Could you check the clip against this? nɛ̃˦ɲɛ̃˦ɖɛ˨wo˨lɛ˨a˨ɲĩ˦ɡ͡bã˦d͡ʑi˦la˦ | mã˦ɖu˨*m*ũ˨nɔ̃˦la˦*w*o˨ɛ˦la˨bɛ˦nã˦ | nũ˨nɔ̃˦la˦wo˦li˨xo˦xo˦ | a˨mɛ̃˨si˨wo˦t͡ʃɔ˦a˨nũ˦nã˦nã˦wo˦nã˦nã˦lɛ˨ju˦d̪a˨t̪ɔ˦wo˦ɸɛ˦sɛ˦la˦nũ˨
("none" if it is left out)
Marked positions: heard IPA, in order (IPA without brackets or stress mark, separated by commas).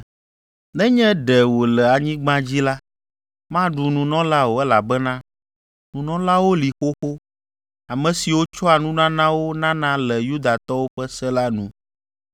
n, w